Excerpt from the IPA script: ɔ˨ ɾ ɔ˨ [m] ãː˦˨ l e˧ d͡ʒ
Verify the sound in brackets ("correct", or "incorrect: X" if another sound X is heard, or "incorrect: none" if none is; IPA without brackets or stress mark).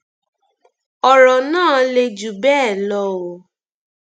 incorrect: n